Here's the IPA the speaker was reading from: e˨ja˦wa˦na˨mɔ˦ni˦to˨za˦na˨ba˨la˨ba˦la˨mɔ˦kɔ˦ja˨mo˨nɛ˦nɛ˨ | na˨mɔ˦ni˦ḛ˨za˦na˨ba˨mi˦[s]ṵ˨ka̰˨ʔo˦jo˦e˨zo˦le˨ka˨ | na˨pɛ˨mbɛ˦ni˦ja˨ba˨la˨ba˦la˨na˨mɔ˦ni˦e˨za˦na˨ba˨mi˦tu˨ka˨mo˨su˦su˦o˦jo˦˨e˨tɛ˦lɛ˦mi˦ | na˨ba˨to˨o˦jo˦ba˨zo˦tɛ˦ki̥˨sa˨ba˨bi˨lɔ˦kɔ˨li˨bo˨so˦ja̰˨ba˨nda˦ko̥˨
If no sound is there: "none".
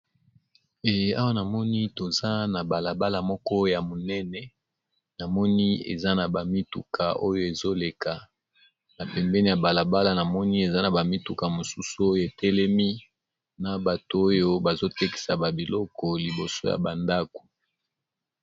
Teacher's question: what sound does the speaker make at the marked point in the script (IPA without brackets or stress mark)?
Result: t